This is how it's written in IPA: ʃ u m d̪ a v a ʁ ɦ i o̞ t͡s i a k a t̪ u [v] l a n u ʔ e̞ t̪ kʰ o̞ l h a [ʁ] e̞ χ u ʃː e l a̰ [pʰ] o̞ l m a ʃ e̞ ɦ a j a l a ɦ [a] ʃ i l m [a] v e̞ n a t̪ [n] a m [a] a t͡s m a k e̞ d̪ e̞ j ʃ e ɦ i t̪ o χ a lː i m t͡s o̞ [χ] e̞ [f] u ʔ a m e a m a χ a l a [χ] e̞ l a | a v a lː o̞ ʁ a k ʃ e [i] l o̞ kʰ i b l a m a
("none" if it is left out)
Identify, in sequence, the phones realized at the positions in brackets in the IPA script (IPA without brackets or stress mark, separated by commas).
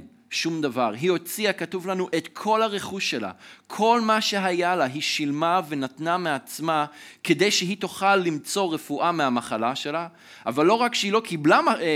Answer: v, ʁ, kʰ, i, a, n, e, ʁ, f, ʃ, i